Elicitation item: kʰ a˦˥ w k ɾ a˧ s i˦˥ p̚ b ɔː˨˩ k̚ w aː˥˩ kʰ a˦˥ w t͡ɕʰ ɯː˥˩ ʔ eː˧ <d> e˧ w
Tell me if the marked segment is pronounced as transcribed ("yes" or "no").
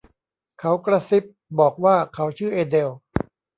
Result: yes